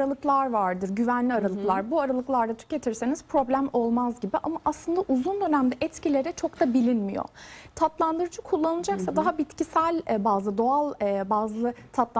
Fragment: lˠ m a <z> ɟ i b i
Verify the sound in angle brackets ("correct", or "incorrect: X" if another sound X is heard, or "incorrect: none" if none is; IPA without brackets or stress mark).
correct